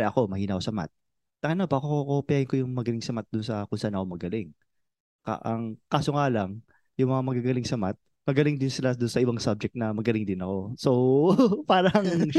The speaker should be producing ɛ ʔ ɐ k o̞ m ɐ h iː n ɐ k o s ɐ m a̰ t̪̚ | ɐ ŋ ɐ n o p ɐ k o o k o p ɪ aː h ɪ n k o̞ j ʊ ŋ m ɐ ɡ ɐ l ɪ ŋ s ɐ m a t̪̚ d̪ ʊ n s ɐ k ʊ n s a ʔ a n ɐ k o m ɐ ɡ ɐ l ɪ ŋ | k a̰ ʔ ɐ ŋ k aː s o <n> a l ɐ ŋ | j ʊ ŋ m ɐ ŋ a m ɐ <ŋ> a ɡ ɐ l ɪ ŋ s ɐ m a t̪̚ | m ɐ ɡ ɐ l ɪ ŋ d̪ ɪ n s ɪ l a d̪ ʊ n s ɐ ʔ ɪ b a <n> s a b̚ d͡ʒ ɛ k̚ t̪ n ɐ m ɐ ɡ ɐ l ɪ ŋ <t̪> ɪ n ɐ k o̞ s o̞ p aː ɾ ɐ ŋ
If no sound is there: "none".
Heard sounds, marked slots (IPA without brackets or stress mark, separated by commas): ŋ, ɡ, ŋ, d̪